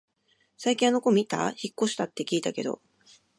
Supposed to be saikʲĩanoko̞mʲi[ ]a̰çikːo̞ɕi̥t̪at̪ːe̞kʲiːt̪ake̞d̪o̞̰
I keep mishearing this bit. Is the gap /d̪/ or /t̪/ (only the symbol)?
t̪